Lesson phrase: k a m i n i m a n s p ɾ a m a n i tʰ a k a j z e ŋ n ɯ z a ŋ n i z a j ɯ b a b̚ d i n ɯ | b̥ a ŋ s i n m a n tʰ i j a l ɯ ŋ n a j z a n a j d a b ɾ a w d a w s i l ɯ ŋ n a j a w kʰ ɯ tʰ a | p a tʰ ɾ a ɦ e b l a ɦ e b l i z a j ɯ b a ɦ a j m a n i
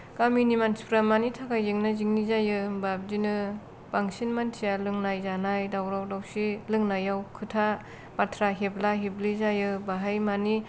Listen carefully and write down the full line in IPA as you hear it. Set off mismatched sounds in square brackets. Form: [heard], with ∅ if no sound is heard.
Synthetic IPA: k a m i n i m a n s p ɾ a m a n i tʰ a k a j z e ŋ n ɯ z [i] ŋ n i z a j ɯ b a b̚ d i n ɯ | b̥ a ŋ s i n m a n tʰ i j a l ɯ ŋ n a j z a n a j d a [w] ɾ a w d a w s i l ɯ ŋ n a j a w kʰ ɯ tʰ a | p a tʰ ɾ a ɦ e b l a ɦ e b l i z a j ɯ b a ɦ a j m a n i